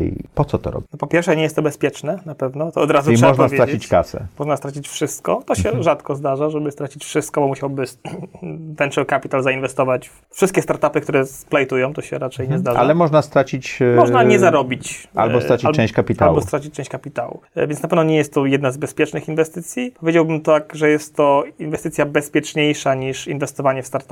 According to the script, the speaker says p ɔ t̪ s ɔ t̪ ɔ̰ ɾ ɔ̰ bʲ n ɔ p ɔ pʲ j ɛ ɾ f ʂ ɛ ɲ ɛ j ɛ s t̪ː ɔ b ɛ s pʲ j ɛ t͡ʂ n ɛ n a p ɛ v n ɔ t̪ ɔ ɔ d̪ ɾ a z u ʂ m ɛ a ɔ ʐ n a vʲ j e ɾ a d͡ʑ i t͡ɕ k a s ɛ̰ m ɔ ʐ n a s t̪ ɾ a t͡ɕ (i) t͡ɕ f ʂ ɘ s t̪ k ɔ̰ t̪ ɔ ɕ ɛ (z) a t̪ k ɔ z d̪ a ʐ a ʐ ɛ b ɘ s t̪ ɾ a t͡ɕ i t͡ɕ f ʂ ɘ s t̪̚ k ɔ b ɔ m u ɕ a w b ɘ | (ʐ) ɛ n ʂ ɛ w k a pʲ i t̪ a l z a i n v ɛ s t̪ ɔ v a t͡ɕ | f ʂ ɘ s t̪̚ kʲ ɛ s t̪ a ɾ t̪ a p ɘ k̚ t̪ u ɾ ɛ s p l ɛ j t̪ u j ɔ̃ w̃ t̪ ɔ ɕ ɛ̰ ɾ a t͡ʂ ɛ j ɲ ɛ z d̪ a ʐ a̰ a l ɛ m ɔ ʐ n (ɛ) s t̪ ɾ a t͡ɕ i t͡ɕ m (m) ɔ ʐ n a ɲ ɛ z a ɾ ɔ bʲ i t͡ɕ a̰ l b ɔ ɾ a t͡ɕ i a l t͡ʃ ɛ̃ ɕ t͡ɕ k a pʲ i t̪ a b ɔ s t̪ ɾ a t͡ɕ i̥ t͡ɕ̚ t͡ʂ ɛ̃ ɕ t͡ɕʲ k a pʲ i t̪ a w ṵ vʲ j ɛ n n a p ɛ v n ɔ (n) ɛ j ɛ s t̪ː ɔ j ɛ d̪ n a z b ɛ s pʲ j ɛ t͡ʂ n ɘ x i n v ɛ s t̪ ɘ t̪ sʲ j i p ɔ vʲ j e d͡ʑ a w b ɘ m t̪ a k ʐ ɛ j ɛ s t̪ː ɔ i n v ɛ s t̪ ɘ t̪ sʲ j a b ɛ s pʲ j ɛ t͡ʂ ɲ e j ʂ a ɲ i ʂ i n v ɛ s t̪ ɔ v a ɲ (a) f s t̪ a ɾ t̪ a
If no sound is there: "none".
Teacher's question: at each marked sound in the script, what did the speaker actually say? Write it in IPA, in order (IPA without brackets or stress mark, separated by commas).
i, ʐ, v, a, m, ɲ, ɛ